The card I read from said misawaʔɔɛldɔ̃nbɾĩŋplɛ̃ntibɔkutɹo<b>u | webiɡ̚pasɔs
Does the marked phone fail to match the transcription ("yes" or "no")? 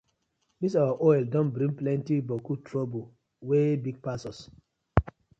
no